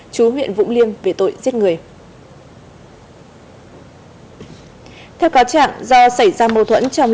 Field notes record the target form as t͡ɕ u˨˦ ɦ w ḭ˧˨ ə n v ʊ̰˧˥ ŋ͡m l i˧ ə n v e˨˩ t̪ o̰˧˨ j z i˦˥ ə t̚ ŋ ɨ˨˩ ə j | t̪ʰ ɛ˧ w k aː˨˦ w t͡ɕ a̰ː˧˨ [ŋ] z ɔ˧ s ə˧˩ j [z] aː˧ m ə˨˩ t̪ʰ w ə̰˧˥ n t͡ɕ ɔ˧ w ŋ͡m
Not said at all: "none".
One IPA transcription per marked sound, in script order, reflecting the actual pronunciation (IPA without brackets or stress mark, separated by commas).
ŋ, z